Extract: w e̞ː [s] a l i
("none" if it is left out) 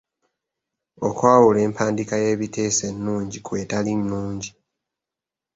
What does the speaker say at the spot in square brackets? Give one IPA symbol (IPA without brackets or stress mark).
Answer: t